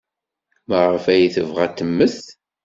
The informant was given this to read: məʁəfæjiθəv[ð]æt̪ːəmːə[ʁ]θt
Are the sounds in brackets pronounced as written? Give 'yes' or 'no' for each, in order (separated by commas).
no, no